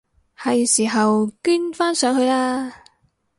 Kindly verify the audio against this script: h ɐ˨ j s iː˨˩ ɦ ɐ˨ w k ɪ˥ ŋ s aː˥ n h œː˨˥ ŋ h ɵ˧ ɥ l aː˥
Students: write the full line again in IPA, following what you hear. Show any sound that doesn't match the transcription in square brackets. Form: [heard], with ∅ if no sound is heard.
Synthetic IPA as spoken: h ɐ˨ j s iː˨˩ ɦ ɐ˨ w k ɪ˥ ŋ [f] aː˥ n [s] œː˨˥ ŋ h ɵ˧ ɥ l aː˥